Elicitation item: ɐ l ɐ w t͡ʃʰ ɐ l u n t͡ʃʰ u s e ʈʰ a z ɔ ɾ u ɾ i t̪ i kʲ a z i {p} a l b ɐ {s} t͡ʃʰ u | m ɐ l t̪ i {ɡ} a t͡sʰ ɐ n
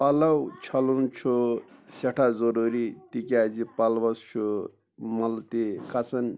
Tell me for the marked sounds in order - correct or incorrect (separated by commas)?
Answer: correct, correct, incorrect